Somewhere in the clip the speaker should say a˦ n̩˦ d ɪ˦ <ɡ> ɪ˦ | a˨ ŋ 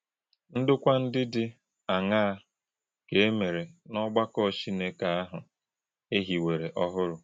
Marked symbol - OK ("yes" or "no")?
no